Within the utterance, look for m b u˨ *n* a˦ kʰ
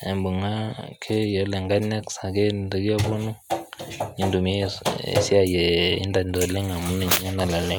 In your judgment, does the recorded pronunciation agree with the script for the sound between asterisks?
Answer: no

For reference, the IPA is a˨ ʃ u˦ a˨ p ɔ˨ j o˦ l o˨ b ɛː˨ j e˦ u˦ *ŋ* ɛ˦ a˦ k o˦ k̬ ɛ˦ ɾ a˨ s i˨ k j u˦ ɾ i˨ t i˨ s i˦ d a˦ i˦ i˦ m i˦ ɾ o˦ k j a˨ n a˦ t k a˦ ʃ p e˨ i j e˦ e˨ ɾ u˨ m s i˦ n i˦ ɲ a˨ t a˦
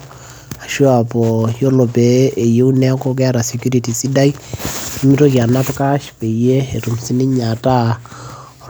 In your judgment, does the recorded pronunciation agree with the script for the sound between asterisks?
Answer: no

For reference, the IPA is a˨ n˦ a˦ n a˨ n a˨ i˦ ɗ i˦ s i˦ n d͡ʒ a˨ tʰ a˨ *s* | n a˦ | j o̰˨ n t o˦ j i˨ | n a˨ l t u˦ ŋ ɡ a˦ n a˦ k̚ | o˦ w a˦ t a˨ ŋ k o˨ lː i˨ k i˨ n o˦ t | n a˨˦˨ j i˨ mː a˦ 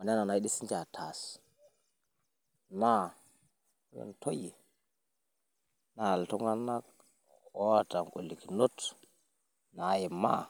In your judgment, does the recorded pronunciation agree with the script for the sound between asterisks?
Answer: yes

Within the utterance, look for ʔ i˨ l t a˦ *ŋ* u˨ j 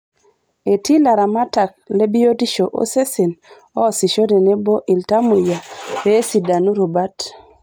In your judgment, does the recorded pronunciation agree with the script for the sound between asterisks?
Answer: no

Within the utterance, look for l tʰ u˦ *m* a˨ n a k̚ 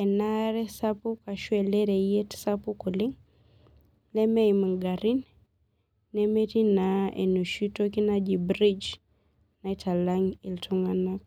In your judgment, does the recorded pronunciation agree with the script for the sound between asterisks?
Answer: no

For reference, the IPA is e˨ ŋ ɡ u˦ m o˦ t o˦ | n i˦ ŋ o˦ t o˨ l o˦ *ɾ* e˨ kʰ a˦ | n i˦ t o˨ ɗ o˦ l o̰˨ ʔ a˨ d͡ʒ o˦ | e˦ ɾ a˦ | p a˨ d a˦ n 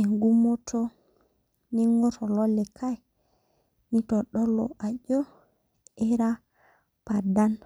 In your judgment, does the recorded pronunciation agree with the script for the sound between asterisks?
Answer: no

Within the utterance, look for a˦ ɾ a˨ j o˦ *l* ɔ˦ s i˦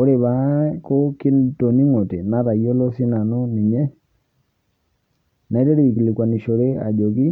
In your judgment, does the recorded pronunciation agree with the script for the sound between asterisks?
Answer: yes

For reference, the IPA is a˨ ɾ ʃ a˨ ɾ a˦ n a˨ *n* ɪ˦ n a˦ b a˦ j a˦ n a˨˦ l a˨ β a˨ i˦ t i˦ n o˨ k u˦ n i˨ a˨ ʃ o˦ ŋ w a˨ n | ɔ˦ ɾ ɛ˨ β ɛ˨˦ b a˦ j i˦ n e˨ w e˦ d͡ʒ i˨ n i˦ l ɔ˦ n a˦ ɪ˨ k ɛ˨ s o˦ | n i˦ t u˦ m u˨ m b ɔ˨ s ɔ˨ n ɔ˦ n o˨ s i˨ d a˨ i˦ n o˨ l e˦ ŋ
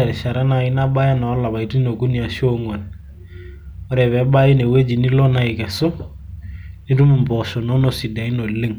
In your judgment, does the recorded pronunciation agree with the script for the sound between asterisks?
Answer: no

